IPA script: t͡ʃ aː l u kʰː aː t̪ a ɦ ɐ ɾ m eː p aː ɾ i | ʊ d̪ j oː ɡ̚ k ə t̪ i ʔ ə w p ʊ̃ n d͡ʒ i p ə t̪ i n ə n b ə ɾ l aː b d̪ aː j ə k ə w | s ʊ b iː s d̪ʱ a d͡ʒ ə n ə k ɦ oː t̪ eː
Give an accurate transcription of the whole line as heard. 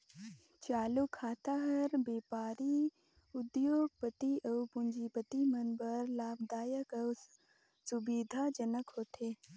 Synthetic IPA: t͡ʃ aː l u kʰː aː t̪ a ɦ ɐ ɾ b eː p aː ɾ i | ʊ d̪ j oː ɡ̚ p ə t̪ i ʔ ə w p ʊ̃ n d͡ʒ i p ə t̪ i m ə n b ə ɾ l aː b d̪ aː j ə k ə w | s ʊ b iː d̪ʱ a d͡ʒ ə n ə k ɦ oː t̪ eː

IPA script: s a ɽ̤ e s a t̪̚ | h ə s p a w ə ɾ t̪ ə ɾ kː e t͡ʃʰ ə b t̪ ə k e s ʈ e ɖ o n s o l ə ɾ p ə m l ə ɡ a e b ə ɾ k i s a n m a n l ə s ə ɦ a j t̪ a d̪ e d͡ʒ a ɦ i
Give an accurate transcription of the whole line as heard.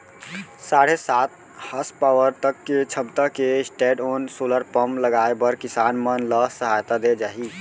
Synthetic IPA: s a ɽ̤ e s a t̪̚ | h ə s p a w ə ɾ t̪ ə kː e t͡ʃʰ ə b t̪ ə k e s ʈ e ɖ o n s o l ə ɾ p ə m l ə ɡ a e b ə ɾ k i s a n m ə n l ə s ə ɦ a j t̪ a d̪ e d͡ʒ a ɦ i

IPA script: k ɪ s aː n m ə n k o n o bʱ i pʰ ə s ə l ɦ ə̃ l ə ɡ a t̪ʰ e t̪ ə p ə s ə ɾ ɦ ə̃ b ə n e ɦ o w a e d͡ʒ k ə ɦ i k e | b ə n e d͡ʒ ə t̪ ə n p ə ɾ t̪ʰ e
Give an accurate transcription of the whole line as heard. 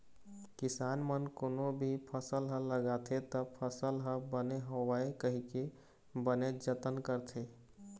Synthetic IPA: k ɪ s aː n m ə n k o n o bʱ i pʰ ə s ə l ɦ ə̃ l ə ɡ a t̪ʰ e t̪ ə pʰ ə s ə l ɦ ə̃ b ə n e ɦ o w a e k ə ɦ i k e | b ə n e d͡ʒ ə t̪ ə n k ə ɾ t̪ʰ e

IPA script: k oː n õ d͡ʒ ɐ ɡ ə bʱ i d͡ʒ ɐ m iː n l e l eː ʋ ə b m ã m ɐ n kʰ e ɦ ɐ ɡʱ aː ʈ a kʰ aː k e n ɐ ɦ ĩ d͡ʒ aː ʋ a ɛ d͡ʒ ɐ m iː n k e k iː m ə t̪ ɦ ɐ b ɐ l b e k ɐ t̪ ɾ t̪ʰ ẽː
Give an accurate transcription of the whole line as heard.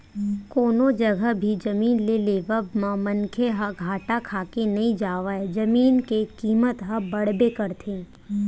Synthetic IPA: k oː n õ d͡ʒ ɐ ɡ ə bʱ i d͡ʒ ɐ m iː n l e l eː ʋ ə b m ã m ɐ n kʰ e ɦ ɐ ɡʱ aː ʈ a kʰ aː k e n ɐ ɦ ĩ d͡ʒ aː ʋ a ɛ d͡ʒ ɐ m iː n k e k iː m ə t̪ ɦ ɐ b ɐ ɽ b e k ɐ ɾ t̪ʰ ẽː

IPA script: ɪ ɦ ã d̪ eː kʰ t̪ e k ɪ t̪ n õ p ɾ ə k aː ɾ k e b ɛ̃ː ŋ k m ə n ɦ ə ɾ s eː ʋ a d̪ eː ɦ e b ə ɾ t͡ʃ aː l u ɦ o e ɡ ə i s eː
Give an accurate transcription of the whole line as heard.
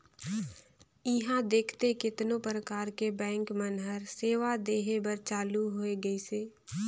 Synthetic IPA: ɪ ɦ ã d̪ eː kʰ t̪ e k ɪ t̪ n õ p ɾ ə k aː ɾ k e b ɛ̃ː ŋ k m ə n ɦ ə ɾ s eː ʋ a d̪ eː ɦ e b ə ɾ t͡ʃ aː l u ɦ o e ɡ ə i s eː

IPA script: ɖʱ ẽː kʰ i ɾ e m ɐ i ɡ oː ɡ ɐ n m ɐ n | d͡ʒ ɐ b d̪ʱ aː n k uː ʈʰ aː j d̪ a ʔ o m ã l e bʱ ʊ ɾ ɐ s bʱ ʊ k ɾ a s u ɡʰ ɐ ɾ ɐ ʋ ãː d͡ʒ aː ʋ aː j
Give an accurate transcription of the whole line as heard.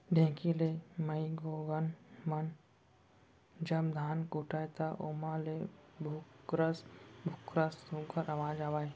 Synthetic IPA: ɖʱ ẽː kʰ i l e m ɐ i ɡ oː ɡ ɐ n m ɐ n | d͡ʒ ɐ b d̪ʱ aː n k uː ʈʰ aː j t̪ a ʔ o m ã l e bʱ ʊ ɾ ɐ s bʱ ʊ k ɾ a s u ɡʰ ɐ ɾ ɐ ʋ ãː d͡ʒ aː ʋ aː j

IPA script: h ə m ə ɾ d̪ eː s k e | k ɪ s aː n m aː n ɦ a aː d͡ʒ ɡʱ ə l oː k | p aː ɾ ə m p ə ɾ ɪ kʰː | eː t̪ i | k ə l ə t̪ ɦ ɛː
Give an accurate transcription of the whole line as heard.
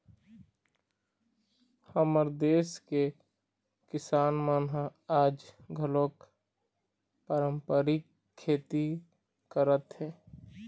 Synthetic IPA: h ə m ə ɾ d̪ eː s k e | k ɪ s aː n m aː n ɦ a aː d͡ʒ ɡʱ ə l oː k | p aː ɾ ə m p ə ɾ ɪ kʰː | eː t̪ i | k ə ɾ ə t̪ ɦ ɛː

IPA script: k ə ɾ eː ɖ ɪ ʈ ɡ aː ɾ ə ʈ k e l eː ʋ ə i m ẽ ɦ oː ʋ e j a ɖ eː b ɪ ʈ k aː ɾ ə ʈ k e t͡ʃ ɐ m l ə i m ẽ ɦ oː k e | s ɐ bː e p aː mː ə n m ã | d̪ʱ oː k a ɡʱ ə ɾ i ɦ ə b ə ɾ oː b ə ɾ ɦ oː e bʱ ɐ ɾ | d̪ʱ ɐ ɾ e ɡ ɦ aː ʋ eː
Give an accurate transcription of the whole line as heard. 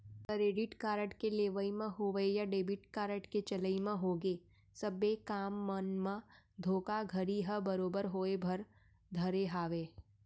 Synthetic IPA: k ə ɾ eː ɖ ɪ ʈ k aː ɾ ə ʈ k e l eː ʋ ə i m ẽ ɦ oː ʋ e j a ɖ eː b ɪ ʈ k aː ɾ ə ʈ k e t͡ʃ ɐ l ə i m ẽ ɦ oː ɡ e | s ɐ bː e k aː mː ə n m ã | d̪ʱ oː k a ɡʱ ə ɾ i ɦ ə b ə ɾ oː b ə ɾ ɦ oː e bʱ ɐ ɾ | d̪ʱ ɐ ɾ e ɦ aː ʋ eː

